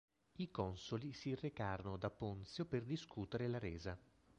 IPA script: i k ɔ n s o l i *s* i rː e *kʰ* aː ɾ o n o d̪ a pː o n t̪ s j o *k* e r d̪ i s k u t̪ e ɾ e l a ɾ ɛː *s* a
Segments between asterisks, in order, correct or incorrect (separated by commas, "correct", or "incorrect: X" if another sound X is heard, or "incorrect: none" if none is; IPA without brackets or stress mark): correct, incorrect: k, incorrect: p, incorrect: z